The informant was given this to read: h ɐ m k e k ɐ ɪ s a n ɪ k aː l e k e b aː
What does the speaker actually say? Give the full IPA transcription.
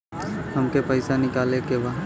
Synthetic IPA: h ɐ m k e p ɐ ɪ s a n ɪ k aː l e k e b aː